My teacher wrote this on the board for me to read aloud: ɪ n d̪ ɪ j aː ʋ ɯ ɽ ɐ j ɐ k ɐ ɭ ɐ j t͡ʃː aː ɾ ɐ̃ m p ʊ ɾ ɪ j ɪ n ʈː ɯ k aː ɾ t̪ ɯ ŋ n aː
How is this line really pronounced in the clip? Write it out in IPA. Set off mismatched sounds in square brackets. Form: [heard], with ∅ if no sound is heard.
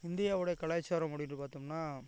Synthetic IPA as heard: ɪ n d̪ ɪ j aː ʋ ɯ ɽ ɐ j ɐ k ɐ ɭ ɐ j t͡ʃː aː ɾ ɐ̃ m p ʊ [ɽ] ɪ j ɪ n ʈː ɯ [p] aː ɾ t̪ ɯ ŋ n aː